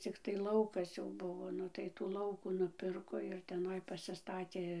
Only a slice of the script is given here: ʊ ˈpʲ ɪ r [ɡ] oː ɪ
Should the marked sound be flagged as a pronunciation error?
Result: yes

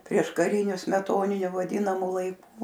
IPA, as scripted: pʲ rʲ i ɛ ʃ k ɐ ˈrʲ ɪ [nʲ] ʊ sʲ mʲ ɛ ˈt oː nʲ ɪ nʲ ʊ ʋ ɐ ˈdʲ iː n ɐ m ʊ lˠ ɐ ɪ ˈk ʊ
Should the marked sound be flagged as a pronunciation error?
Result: no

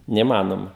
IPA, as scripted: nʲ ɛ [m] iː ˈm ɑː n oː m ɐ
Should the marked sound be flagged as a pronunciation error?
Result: yes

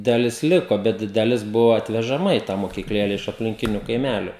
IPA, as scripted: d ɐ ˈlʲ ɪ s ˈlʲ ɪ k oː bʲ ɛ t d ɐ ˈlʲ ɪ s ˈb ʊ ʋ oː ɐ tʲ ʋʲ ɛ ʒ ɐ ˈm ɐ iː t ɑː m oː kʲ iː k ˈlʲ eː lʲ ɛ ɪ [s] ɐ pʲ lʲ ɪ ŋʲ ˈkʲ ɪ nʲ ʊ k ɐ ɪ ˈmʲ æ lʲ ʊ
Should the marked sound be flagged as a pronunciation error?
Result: yes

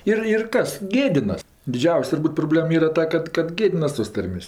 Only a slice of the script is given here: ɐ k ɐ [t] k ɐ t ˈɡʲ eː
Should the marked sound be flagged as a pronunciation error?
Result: no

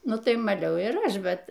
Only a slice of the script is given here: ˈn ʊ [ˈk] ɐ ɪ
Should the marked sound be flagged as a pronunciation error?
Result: yes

